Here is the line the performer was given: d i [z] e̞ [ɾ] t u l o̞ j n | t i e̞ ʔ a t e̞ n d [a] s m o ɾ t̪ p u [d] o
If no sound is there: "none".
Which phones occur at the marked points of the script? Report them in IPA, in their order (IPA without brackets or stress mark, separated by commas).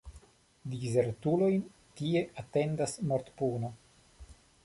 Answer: z, ɾ, a, n